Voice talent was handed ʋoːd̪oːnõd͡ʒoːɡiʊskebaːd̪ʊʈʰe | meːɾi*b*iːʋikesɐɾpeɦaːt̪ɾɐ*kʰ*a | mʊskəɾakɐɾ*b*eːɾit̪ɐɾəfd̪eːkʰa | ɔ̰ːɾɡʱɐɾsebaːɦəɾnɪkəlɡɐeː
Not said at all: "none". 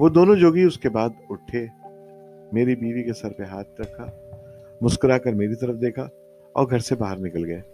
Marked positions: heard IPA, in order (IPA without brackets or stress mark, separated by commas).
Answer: b, kʰ, m